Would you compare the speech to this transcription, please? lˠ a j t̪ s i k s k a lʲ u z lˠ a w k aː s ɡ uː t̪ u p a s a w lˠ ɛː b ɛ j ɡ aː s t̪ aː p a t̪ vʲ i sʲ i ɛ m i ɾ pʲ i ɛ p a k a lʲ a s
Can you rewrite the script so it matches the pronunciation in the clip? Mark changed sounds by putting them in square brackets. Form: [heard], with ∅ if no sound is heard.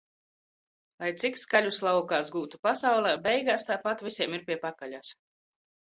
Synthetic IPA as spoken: lˠ a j t̪ s i k s k a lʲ u [s] lˠ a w k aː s ɡ uː t̪ u p a s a w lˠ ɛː b ɛ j ɡ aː s t̪ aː p a t̪ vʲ i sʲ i ɛ m i ɾ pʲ i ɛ p a k a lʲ a s